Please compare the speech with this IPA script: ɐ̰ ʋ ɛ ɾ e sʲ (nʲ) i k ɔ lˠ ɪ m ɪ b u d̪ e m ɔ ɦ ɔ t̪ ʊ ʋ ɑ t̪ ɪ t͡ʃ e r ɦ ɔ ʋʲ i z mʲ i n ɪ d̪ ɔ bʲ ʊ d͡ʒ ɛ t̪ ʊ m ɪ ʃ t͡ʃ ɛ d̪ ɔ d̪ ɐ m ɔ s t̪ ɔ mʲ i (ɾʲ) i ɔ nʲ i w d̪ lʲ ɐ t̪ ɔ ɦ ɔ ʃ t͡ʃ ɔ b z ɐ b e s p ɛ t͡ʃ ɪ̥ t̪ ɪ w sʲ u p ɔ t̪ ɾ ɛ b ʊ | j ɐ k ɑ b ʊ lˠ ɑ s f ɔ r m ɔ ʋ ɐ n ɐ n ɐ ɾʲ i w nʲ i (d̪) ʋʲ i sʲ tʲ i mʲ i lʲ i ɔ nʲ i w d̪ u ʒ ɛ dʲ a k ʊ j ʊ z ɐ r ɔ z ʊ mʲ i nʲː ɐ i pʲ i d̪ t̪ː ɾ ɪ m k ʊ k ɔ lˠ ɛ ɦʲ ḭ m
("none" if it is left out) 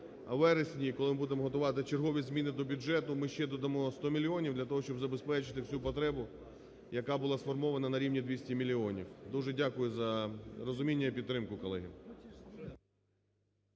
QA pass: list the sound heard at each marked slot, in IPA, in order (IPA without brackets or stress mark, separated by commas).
nʲ, lʲ, d̪